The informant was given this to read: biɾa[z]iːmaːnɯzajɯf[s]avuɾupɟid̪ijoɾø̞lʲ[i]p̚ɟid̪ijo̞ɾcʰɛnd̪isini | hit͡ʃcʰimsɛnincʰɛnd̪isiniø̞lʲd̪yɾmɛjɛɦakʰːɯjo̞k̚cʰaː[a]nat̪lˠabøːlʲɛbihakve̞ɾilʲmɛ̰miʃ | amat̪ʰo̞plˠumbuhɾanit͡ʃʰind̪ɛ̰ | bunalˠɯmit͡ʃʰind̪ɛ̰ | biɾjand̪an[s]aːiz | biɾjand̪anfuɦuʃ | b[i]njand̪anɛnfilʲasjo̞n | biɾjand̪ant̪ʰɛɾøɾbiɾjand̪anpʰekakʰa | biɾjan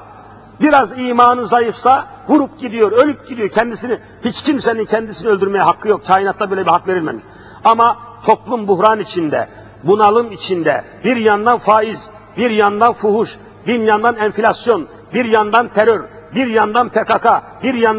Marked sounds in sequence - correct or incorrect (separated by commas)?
correct, correct, incorrect, incorrect, incorrect, correct